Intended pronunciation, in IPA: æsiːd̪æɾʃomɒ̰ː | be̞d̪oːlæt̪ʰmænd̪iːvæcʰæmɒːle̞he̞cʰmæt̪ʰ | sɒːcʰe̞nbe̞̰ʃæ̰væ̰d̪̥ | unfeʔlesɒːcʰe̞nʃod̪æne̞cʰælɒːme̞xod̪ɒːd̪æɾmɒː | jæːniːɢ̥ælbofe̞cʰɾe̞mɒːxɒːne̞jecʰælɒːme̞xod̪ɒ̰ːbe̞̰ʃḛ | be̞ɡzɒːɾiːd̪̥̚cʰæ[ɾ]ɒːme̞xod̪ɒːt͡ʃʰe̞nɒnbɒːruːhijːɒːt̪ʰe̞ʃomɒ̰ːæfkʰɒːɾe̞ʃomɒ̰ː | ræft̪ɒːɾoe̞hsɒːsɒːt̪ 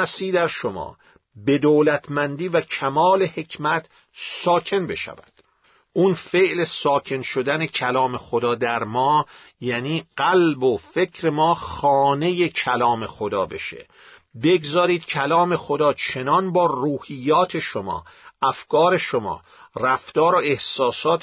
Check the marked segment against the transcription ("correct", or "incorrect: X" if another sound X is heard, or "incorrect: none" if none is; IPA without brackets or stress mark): incorrect: l